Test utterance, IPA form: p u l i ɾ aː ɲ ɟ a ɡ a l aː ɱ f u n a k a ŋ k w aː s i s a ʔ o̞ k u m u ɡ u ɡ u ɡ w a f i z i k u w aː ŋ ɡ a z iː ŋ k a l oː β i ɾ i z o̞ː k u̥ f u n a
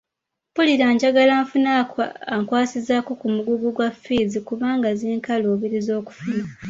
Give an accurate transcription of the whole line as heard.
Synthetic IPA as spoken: p u l i ɾ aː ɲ ɟ a ɡ a l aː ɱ f u n a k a ŋ k w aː s i z a k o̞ k u m u ɡ u ɡ u ɡ w a f i z i k u β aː ŋ ɡ a z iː ŋ k a l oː β i ɾ i z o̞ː k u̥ f u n a